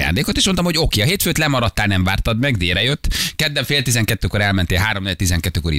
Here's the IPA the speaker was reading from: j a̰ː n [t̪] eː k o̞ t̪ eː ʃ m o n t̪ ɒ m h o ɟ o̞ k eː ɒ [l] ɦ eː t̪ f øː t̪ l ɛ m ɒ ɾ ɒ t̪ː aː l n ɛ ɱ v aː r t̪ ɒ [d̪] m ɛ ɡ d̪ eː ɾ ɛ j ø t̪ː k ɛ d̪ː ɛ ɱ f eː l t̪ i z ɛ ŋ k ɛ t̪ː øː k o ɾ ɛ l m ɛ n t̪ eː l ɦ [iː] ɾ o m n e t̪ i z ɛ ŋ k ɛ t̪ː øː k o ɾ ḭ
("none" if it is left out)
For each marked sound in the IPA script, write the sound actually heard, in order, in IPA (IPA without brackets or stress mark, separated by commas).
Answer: d̪, none, d̪, aː